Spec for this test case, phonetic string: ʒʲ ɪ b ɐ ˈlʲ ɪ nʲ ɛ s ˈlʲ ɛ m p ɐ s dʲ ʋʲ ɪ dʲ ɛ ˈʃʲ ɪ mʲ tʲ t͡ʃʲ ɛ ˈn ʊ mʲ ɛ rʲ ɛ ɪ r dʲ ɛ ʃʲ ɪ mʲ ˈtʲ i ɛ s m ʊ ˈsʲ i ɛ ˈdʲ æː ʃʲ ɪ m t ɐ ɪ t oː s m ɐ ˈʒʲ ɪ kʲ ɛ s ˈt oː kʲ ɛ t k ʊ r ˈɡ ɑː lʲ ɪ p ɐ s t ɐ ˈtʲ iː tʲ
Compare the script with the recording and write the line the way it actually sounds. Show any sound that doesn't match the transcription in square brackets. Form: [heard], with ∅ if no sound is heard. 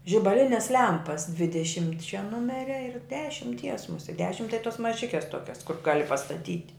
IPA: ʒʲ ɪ b ɐ ˈlʲ ɪ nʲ ɛ s ˈlʲ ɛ m p ɐ s dʲ ʋʲ ɪ dʲ ɛ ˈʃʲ ɪ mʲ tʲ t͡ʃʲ ɛ ˈn ʊ mʲ ɛ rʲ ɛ ɪ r dʲ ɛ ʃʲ ɪ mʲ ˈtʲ i ɛ s m ʊ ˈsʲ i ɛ ˈdʲ æː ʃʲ ɪ m t ɐ ɪ t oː s m ɐ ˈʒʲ ɪ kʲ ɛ s ˈt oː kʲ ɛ [s] k ʊ r ˈɡ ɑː lʲ ɪ p ɐ s t ɐ ˈtʲ iː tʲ

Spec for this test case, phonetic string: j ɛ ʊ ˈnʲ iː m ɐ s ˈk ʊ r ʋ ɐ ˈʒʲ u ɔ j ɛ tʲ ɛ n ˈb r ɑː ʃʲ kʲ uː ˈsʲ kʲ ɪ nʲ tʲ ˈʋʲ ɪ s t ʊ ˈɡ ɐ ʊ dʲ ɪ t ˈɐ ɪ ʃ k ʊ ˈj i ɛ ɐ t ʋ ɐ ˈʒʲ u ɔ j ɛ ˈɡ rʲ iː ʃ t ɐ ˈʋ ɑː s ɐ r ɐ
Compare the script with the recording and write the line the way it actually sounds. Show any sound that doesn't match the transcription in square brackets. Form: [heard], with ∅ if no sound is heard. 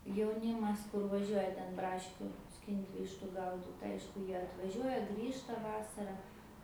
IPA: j ɛ ʊ ˈnʲ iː m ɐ s ˈk ʊ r ʋ ɐ ˈʒʲ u ɔ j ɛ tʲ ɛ n ˈb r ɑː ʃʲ kʲ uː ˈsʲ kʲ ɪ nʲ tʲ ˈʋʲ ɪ [ʃ] t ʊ ˈɡ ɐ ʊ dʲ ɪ t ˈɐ ɪ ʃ k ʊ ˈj i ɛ ɐ t ʋ ɐ ˈʒʲ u ɔ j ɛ ˈɡ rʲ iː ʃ t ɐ ˈʋ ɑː s ɐ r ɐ

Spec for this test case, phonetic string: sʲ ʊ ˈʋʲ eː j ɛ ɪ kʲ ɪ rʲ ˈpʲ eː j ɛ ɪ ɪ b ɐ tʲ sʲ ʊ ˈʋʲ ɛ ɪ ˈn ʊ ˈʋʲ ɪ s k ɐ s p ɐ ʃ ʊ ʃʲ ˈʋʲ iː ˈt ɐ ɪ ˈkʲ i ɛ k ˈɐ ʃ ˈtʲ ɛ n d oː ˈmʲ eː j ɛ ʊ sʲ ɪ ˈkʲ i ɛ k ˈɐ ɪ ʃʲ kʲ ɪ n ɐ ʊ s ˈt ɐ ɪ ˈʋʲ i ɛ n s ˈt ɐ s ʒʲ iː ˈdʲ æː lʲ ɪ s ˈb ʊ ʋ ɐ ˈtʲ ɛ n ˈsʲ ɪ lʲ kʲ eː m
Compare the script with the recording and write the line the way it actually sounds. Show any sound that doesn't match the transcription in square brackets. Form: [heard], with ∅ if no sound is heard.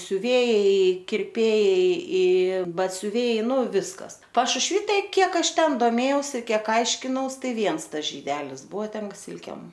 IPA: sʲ ʊ ˈʋʲ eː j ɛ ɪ kʲ ɪ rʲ ˈpʲ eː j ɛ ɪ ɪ b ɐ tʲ sʲ ʊ ˈʋʲ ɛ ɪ ˈn ʊ ˈʋʲ ɪ s k ɐ s p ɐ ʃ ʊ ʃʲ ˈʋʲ iː ˈt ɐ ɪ ˈkʲ i ɛ k ˈɐ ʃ ˈtʲ ɛ n d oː ˈmʲ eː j ɛ ʊ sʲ ɪ ˈkʲ i ɛ k ˈɐ ɪ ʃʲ kʲ ɪ n ɐ ʊ s ˈt ɐ ɪ ˈʋʲ i ɛ n s ˈt ɐ s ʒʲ iː ˈdʲ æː lʲ ɪ s ˈb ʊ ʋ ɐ ˈtʲ ɛ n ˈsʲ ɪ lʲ kʲ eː m

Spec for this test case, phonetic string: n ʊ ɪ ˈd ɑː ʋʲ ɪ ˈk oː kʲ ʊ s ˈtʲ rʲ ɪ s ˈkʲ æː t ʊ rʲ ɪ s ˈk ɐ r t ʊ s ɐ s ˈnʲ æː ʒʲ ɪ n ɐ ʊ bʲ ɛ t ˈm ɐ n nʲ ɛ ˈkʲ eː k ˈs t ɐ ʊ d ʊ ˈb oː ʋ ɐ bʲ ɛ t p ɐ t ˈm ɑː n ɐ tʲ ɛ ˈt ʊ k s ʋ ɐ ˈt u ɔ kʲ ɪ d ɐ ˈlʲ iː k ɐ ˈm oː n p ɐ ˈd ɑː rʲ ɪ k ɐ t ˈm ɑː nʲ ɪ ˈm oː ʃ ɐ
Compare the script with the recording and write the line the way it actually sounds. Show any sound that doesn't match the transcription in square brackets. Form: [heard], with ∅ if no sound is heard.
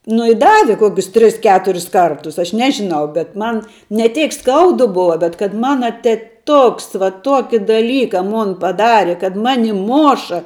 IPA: n ʊ ɪ ˈd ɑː ʋʲ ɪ ˈk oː kʲ ʊ s ˈtʲ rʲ ɪ s ˈkʲ æː t ʊ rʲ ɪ s ˈk ɐ r t ʊ s ɐ [ʃ] ˈnʲ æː ʒʲ ɪ n ɐ ʊ bʲ ɛ t ˈm ɐ n nʲ ɛ [ˈtʲ] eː k ˈs [k] ɐ ʊ d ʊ ˈb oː ʋ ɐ bʲ ɛ t [k] ɐ t ˈm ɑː n ɐ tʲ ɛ ˈt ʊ k s ʋ ɐ ˈt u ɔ kʲ ɪ d ɐ ˈlʲ iː k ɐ ˈm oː n p ɐ ˈd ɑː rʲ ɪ k ɐ t ˈm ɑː nʲ ɪ ˈm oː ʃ ɐ

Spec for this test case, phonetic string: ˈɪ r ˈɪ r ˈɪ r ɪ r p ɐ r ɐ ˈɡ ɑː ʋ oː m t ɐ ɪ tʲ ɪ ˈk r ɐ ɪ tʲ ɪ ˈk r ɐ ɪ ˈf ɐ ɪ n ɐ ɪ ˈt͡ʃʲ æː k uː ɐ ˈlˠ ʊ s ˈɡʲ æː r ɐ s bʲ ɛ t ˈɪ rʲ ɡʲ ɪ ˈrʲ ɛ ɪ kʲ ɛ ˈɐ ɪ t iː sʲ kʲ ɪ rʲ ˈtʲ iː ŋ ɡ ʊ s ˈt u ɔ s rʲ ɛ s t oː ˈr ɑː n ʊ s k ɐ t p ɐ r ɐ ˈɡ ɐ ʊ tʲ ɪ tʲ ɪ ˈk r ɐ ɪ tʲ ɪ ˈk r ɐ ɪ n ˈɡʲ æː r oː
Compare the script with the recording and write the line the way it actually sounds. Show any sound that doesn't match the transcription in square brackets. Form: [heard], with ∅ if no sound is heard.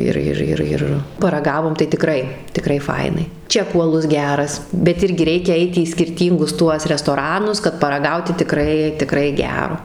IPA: ˈɪ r ˈɪ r ˈɪ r ɪ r p ɐ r ɐ ˈɡ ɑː ʋ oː m t ɐ ɪ tʲ ɪ ˈk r ɐ ɪ tʲ ɪ ˈk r ɐ ɪ ˈf ɐ ɪ n ɐ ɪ ˈt͡ʃʲ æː k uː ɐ ˈlˠ ʊ s ˈɡʲ æː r ɐ s bʲ ɛ t ˈɪ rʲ ɡʲ ɪ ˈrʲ ɛ ɪ kʲ ɛ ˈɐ ɪ t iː sʲ kʲ ɪ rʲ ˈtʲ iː ŋ ɡ ʊ s ˈt u ɔ s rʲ ɛ s t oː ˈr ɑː n ʊ s k ɐ t p ɐ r ɐ ˈɡ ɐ ʊ tʲ ɪ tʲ ɪ ˈk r ɐ ɪ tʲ ɪ ˈk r ɐ ɪ [∅] ˈɡʲ æː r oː

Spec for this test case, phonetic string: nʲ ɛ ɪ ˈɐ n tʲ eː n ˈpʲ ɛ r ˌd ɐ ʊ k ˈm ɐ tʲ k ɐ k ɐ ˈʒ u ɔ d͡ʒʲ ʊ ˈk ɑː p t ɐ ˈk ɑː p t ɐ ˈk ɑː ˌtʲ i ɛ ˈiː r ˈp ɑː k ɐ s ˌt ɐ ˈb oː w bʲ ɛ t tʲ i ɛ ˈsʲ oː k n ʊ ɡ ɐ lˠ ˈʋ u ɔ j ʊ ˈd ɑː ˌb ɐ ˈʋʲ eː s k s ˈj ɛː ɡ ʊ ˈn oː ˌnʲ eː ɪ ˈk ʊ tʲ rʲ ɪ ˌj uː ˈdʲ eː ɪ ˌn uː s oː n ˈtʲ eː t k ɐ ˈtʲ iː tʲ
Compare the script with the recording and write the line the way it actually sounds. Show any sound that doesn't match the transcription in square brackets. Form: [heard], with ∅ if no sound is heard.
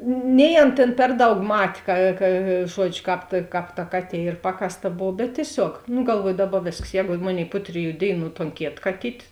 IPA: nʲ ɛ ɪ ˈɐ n tʲ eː n ˈpʲ ɛ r ˌd ɐ ʊ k ˈm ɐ tʲ k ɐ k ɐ ˈʒ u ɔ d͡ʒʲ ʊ ˈk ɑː p t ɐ ˈk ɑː p t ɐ ˈk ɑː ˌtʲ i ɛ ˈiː r ˈp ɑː k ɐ s ˌt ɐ ˈb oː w bʲ ɛ t tʲ i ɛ ˈsʲ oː k n ʊ ɡ ɐ lˠ ˈʋ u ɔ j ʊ ˈd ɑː ˌb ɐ ˈʋʲ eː s k s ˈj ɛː ɡ ʊ [ˈm] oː ˌnʲ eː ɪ [ˈp] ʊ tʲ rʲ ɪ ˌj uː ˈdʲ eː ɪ ˌn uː [t] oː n [ˈkʲ] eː t k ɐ ˈtʲ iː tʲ

